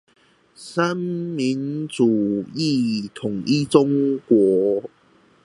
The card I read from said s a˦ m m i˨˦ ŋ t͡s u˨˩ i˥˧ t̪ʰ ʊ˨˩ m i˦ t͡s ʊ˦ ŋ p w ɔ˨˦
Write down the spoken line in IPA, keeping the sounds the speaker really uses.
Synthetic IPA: s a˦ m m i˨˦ n t͡s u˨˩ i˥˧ t̪ʰ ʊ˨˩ ŋ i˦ t͡s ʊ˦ ŋ k w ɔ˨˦